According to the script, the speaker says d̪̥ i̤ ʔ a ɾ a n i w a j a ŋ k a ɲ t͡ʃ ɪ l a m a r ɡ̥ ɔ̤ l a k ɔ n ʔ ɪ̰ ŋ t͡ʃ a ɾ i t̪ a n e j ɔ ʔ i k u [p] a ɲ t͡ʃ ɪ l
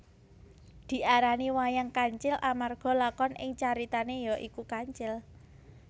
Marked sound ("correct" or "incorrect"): incorrect